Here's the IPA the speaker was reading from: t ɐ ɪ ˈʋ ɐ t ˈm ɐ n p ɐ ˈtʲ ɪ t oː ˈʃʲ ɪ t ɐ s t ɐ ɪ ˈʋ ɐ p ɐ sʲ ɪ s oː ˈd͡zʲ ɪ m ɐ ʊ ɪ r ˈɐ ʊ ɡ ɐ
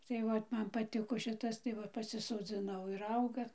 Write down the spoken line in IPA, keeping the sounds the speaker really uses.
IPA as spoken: t ɐ ɪ ˈʋ ɐ t ˈm ɐ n p ɐ ˈtʲ ɪ k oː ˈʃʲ ɪ t ɐ s t ɐ ɪ ˈʋ ɐ p ɐ sʲ ɪ s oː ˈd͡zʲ ɪ n ɐ ʊ ɪ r ˈɐ ʊ ɡ ɐ